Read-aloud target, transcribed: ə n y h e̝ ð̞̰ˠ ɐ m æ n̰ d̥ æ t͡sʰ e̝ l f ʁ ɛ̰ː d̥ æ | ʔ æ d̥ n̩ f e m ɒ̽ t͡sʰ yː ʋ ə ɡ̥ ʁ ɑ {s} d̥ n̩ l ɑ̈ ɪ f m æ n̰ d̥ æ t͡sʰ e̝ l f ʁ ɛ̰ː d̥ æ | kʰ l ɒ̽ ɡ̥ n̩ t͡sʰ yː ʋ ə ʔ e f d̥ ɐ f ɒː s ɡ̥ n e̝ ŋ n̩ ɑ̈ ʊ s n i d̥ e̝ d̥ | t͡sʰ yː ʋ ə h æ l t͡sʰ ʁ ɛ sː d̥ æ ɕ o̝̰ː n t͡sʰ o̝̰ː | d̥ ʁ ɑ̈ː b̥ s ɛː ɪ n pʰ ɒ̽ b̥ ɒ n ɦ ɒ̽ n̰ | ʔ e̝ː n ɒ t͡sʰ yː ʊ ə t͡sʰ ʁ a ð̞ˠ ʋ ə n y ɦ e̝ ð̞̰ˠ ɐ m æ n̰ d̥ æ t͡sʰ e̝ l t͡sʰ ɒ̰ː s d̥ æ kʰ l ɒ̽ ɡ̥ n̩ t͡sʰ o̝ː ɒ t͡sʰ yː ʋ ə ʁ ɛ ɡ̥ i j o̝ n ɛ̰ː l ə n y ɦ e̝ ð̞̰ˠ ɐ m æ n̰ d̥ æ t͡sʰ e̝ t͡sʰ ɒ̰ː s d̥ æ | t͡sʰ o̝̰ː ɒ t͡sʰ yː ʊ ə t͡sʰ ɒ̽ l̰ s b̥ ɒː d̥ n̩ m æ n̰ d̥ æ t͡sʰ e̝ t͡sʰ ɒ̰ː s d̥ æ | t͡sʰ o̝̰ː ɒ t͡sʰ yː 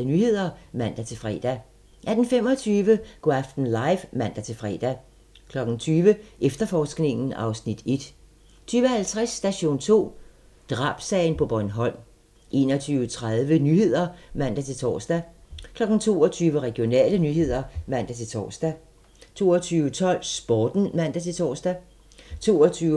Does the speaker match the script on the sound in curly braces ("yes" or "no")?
no